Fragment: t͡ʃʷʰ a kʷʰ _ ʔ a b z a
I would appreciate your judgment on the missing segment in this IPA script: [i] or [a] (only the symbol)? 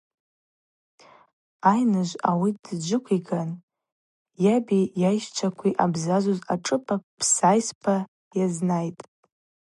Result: i